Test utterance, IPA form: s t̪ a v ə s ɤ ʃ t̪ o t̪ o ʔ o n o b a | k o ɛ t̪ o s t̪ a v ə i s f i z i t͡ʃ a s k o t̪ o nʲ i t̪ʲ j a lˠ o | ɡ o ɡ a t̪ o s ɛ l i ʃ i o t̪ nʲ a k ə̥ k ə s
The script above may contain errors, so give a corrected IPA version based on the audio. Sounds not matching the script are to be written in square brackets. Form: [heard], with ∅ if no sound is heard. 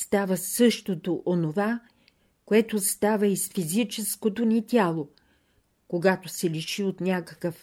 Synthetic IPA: s t̪ a v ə s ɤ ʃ t̪ o t̪ o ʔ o n o [v] a | k o ɛ t̪ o s t̪ a v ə i s f i z i t͡ʃ [ɛ] s k o t̪ o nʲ i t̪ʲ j a lˠ o | [k] o ɡ a t̪ o s ɛ l i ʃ i o t̪ nʲ a k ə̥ k ə [f]